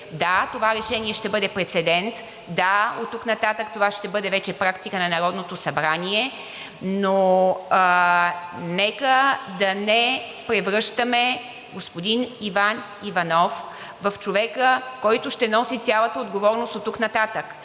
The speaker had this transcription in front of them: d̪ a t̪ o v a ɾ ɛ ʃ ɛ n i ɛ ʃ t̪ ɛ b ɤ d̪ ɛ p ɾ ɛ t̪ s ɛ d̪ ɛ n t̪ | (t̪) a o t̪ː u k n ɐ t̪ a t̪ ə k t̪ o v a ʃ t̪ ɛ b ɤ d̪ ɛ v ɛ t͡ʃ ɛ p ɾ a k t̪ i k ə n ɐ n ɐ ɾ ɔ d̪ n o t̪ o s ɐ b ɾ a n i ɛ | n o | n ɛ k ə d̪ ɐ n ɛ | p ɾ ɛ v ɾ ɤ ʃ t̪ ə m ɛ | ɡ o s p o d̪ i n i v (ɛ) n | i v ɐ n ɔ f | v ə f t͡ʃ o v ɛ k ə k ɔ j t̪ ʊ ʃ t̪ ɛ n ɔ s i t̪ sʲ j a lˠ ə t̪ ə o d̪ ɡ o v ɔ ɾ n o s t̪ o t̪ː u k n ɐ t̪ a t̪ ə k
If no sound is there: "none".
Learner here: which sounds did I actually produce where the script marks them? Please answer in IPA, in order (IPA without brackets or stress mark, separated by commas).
d̪, a